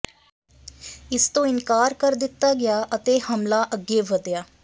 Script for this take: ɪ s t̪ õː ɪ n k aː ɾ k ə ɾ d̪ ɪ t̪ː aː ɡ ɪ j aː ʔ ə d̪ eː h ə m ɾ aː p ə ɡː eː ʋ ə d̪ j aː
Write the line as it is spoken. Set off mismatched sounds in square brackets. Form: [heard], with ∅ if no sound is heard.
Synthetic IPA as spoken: ɪ s t̪ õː ɪ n k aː ɾ k ə ɾ d̪ ɪ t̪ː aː ɡ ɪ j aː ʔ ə [t̪] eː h ə m [l] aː [ʔ] ə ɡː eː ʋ ə d̪ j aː